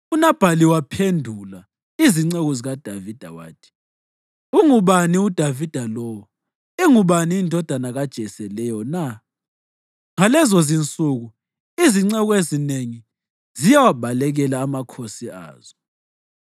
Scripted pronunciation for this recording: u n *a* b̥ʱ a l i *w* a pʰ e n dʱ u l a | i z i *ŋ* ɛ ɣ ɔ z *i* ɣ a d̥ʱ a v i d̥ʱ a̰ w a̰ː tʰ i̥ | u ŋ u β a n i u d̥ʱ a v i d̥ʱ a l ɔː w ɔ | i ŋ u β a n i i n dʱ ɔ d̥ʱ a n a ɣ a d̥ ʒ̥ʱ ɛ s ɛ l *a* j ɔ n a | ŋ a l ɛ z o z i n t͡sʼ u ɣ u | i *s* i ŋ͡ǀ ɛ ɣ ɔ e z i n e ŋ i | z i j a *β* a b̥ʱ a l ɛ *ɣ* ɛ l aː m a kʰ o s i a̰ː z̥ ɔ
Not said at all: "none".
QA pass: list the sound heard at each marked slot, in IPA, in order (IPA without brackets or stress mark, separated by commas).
a, w, ŋ͡ǀ, i, ɛ, z, w, ɣ